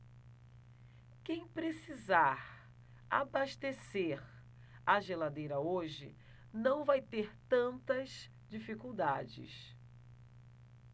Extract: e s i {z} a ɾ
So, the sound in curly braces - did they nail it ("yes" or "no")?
yes